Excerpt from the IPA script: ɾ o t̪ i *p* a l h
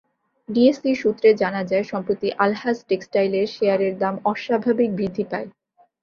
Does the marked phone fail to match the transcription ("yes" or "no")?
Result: yes